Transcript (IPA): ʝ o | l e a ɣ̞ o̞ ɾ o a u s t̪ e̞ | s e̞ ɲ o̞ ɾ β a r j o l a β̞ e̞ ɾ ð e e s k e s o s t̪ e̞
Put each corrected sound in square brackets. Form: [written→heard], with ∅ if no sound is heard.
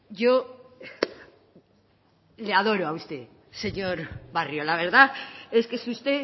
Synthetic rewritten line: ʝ o | l e a [ɣ̞→ð̞] o̞ ɾ o a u s t̪ e̞ | s e̞ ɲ o̞ ɾ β a r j o l a β̞ e̞ ɾ ð [e→a] e s k e s [o→u] s t̪ e̞